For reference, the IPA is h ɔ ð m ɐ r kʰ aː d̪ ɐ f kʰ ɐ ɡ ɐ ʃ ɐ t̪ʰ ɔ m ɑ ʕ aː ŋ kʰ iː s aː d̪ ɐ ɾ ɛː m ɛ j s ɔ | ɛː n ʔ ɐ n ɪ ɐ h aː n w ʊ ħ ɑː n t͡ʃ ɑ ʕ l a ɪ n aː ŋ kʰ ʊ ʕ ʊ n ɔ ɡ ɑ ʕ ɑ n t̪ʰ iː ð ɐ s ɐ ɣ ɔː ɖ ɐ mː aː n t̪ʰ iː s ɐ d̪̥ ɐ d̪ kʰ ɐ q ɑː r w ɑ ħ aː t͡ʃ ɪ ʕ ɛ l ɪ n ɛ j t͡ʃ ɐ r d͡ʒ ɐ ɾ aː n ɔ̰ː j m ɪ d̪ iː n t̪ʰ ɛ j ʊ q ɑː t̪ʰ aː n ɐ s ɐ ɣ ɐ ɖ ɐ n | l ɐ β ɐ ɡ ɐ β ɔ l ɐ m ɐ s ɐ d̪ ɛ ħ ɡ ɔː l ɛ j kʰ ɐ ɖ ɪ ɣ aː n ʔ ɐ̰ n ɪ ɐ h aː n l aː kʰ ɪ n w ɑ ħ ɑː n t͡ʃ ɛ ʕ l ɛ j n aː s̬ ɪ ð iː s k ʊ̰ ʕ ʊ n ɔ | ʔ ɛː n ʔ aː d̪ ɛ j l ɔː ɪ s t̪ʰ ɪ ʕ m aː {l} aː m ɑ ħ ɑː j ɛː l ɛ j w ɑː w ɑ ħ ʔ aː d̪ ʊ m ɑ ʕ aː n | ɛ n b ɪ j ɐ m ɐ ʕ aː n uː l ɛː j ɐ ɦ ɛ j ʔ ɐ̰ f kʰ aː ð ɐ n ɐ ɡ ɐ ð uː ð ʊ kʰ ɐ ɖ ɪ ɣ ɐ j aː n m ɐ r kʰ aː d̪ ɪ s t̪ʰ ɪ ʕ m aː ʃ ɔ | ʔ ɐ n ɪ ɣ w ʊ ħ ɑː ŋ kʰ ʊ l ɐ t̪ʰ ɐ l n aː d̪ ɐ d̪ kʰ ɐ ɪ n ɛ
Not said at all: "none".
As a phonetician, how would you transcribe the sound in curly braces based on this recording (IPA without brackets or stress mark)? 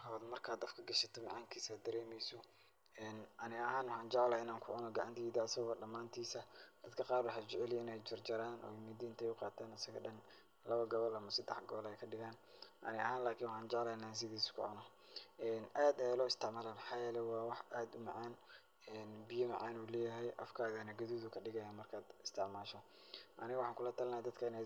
l